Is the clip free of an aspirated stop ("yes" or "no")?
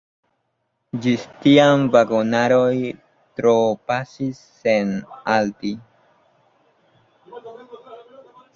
yes